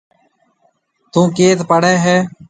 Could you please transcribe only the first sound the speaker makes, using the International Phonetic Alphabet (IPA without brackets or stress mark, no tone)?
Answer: t̪